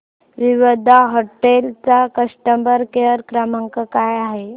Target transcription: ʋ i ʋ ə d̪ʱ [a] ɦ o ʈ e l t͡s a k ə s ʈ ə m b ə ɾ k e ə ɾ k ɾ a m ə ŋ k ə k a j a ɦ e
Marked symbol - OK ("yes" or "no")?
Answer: yes